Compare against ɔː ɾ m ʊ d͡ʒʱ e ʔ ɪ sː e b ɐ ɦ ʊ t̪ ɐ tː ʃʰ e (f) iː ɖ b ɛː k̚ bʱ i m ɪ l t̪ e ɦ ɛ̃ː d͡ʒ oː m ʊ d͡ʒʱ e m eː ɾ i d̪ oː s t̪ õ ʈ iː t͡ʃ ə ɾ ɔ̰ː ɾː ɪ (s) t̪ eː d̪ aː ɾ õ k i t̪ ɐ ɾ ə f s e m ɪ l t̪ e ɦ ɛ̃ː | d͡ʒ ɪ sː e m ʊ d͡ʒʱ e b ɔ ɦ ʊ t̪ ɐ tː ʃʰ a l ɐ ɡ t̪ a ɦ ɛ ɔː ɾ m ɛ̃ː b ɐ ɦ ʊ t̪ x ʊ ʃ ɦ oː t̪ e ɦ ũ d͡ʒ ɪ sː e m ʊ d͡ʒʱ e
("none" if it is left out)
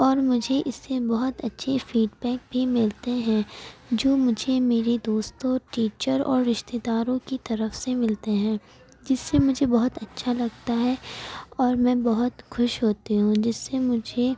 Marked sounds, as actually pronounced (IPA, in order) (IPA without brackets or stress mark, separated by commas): f, ʃ